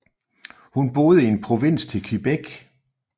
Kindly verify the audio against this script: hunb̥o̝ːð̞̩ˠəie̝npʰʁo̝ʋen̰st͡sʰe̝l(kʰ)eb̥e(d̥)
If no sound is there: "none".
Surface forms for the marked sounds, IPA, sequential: kʰ, ɡ̥

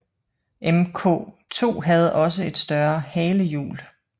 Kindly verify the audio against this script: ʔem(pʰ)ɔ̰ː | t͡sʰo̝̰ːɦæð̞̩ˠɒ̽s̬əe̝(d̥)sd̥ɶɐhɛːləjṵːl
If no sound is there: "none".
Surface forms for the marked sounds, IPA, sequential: kʰ, d̥

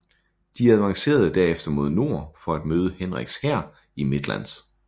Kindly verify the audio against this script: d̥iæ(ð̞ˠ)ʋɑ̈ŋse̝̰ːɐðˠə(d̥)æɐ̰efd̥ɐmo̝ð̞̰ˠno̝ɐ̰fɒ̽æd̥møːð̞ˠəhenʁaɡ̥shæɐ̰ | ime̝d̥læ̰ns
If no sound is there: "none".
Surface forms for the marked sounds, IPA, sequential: ð̞ˠ, d̥

